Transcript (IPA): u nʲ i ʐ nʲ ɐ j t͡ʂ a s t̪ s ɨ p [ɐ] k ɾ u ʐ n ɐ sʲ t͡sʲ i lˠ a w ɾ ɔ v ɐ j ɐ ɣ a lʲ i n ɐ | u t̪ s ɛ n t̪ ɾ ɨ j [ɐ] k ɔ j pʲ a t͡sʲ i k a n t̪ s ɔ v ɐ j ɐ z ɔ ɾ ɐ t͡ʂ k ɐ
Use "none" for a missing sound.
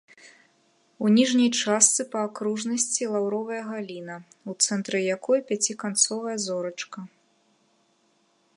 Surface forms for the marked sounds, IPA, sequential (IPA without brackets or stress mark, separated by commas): ɐː, a